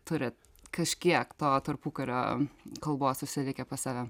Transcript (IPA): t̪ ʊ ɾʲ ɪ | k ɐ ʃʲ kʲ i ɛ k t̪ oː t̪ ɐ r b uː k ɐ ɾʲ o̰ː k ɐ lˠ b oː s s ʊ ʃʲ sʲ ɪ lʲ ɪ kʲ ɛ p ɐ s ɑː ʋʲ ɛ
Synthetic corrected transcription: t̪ ʊ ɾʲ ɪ | k ɐ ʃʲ kʲ i ɛ k t̪ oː t̪ ɐ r p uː k ɐ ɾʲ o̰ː k ɐ lˠ b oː s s ʊ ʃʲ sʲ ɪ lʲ ɪ kʲ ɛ p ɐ s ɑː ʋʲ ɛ